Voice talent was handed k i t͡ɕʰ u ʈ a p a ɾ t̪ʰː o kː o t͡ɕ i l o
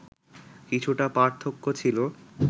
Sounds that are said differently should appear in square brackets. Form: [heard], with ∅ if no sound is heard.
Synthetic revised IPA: k i t͡ɕʰ u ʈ a p a ɾ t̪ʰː o kː o [t͡ɕʰ] i l o